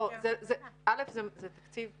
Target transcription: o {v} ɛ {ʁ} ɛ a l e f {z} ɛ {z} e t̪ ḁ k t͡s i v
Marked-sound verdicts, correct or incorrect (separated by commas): incorrect, incorrect, correct, correct